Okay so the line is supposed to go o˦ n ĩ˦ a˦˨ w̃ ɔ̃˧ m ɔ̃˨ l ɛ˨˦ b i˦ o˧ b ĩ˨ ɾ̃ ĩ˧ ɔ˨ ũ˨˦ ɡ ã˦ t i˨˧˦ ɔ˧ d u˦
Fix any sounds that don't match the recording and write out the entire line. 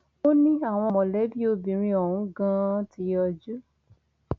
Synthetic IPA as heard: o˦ n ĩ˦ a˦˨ w̃ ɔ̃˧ m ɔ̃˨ l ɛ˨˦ b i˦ o˧ b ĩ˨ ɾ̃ ĩ˧ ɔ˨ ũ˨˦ ɡ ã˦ t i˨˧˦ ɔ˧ d͡ʒ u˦